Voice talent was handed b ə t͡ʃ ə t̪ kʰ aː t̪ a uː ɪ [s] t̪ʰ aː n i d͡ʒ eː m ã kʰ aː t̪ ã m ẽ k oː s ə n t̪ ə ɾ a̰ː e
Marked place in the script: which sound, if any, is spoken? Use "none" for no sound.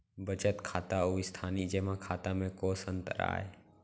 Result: s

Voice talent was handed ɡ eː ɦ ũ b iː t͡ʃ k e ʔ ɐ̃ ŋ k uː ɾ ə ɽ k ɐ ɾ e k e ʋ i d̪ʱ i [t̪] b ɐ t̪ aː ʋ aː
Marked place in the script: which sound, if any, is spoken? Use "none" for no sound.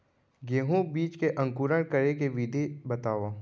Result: none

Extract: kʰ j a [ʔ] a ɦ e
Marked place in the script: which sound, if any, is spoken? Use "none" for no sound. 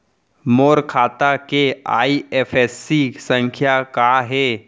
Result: k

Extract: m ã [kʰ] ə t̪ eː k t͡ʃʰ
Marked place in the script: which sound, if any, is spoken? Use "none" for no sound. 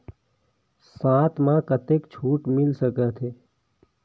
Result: k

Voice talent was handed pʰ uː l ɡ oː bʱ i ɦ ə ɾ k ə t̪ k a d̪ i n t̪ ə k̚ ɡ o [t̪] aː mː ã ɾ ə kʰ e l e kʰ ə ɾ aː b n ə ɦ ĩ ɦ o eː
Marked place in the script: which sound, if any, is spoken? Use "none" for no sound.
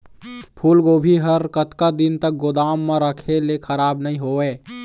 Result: d̪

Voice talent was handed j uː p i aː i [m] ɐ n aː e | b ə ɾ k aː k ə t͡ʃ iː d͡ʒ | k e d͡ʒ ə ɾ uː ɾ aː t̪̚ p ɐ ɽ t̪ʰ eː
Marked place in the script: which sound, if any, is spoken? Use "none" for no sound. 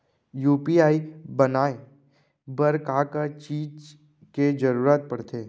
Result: b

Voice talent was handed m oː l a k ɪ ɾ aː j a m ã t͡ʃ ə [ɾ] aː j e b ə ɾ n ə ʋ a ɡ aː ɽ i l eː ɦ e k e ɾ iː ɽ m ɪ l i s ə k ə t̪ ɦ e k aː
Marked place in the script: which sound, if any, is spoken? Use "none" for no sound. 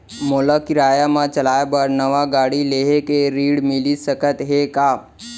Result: l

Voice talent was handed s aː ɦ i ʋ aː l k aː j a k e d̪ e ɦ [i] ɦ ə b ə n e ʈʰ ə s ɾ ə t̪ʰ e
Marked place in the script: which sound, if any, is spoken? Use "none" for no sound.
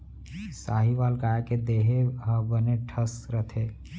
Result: e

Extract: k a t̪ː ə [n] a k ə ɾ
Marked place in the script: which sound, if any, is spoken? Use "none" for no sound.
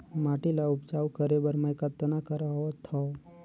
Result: n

